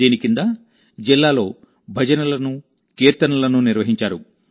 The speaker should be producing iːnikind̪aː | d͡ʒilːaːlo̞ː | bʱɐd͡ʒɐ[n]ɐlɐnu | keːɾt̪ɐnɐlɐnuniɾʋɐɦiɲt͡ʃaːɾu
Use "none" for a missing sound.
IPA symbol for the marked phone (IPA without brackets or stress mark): n